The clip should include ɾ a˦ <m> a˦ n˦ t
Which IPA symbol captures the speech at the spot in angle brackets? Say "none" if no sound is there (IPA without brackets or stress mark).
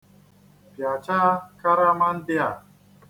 m